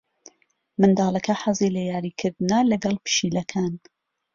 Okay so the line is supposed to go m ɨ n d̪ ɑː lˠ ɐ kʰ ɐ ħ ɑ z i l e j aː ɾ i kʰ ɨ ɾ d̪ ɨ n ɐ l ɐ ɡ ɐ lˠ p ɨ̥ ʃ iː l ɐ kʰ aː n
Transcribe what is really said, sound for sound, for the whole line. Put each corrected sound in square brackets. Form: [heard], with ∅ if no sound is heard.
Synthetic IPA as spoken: m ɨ n d̪ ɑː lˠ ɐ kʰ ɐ ħ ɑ z i l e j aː ɾ i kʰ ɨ ɾ d̪ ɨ n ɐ l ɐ ɡ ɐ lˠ p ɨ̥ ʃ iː l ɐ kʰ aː n

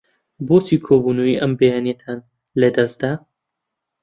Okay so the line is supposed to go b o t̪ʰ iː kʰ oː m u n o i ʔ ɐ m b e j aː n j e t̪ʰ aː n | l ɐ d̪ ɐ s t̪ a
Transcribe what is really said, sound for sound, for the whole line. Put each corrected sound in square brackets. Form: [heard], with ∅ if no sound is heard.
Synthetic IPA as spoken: b o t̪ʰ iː kʰ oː [b] u n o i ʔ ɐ m b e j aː n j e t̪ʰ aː n | l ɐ d̪ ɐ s [d̪] a

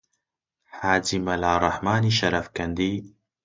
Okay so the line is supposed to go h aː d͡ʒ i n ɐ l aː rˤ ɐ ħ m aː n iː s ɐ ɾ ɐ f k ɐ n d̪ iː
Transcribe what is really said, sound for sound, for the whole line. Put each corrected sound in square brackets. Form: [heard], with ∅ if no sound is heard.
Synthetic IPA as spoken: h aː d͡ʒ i [m] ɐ l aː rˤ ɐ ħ m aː n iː [ʃ] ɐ ɾ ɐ f k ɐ n d̪ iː

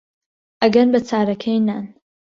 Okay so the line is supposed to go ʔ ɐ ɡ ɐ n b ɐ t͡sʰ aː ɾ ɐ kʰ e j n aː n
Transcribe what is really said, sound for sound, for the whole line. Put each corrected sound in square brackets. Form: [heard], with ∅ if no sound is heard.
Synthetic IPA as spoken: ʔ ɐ ɡ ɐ n b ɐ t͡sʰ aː ɾ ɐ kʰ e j n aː n

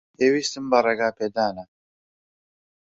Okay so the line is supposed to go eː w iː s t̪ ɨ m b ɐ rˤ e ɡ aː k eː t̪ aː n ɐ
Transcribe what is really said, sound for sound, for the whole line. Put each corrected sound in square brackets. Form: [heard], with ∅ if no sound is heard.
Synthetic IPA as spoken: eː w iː s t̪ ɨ m b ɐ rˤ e ɡ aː [p] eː [d̪] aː n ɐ

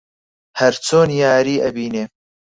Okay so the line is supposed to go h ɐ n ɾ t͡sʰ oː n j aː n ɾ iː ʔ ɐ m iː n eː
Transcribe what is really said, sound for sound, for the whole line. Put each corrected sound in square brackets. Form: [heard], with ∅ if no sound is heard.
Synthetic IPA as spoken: h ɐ [∅] ɾ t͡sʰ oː n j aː [∅] ɾ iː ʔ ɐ [b] iː n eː

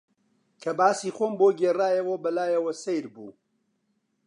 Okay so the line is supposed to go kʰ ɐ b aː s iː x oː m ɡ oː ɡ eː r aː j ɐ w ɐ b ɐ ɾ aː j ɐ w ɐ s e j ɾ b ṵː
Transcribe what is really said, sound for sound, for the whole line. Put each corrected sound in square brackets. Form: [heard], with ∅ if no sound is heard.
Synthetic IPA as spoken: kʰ ɐ b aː s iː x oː m [b] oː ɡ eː r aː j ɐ w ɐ b ɐ [l] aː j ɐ w ɐ s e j ɾ b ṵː

